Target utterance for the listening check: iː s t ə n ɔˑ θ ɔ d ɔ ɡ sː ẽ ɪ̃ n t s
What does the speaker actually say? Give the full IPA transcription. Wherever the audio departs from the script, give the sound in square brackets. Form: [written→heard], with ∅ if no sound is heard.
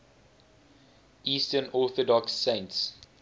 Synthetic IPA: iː s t ə n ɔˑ θ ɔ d ɔ [ɡ→k] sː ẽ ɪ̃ n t s